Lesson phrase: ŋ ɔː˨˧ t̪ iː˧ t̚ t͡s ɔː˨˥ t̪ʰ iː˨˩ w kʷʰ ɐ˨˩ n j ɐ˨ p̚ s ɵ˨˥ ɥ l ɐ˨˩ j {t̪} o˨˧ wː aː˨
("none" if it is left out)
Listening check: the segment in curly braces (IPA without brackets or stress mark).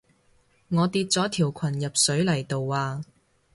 t̪